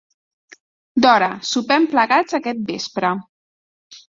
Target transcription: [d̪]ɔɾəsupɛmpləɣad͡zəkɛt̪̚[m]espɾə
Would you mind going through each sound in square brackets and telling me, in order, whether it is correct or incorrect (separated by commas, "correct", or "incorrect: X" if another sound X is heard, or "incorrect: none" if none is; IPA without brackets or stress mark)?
correct, incorrect: b